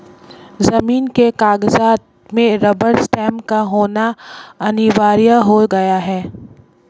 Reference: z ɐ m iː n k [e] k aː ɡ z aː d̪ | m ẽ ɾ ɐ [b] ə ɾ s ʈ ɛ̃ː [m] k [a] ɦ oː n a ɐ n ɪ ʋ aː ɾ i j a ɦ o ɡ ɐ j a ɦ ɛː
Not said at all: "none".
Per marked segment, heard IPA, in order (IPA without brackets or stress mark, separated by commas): e, b, m, a